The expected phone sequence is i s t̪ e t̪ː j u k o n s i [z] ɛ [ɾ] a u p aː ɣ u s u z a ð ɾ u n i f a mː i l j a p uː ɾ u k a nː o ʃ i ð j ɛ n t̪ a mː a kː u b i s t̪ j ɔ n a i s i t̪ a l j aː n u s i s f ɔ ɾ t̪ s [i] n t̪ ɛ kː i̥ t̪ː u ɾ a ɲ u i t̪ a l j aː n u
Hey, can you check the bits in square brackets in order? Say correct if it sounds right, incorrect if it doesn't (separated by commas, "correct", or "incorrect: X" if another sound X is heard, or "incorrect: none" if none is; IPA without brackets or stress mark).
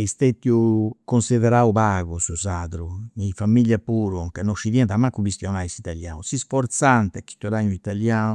incorrect: ð, correct, incorrect: a